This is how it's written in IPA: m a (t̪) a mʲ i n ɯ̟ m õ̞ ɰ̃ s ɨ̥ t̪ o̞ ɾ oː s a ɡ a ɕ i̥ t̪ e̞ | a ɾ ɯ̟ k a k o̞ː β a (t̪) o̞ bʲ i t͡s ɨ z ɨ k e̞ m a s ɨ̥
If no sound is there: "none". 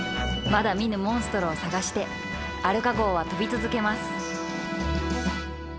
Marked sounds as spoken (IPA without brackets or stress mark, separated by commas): d̪, t̪